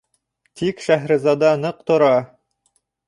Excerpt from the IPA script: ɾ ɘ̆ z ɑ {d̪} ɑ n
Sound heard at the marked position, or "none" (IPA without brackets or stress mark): d̪